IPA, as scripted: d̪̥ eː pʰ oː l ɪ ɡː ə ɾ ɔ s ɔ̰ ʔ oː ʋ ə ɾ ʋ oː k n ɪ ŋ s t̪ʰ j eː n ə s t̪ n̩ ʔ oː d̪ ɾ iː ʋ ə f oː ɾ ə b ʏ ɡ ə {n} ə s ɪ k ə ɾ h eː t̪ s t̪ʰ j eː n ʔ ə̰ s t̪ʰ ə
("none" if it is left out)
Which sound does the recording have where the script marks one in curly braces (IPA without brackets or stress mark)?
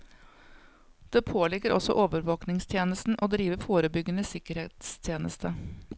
n